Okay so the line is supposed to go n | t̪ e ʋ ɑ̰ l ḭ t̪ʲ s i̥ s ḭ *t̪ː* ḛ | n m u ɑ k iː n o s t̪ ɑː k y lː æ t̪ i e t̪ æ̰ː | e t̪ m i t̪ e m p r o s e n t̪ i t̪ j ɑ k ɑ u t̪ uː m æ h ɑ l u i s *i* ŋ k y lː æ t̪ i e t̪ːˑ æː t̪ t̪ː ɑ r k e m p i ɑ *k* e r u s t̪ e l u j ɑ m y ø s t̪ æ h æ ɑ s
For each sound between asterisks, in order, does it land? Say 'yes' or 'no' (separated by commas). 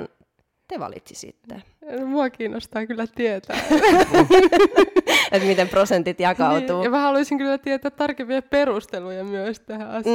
yes, yes, no